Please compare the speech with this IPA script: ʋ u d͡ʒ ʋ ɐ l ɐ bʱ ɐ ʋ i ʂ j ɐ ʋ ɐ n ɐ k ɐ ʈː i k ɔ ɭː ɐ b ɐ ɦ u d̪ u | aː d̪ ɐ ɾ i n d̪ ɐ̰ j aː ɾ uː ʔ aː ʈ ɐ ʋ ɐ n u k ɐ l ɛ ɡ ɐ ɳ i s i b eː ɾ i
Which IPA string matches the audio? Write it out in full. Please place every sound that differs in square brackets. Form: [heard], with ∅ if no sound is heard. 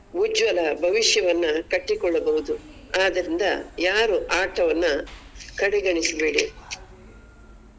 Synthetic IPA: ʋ u d͡ʒ ʋ ɐ l ɐ bʱ ɐ ʋ i ʂ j ɐ ʋ ɐ [nː] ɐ k ɐ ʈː i k ɔ ɭː ɐ b ɐ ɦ u d̪ u | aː d̪ ɐ ɾ i n d̪ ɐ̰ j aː ɾ [u] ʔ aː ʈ ɐ ʋ ɐ [nː] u k ɐ [ɽ] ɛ ɡ ɐ ɳ i s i b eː [ɽ] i